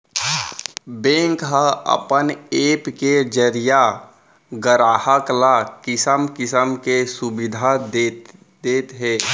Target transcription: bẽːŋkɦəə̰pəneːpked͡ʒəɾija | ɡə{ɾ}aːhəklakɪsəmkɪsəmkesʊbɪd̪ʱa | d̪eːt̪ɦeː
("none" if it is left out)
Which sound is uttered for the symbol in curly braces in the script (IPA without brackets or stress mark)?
ɾ